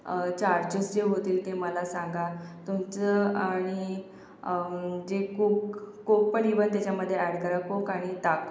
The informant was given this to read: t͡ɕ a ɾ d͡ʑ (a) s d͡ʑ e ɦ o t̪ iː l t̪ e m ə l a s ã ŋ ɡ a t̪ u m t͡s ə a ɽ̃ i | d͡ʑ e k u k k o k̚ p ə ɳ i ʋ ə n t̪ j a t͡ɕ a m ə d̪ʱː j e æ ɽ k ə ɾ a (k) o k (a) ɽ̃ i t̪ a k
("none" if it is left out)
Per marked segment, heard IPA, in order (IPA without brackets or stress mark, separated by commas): ə, k, a